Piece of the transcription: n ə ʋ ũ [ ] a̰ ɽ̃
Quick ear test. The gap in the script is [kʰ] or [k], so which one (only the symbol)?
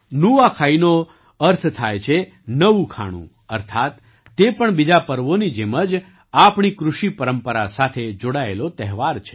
kʰ